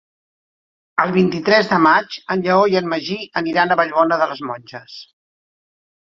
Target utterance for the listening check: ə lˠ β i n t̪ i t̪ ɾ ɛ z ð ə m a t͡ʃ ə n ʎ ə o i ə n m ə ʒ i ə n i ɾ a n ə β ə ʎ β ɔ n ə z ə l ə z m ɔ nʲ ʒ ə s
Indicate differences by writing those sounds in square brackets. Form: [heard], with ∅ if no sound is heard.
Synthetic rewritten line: ə lˠ β i n t̪ i t̪ ɾ ɛ z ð ə m a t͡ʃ ə n ʎ ə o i ə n m ə ʒ i ə n i ɾ a n ə β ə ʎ β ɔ n ə [ð] ə l ə z m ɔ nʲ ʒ ə s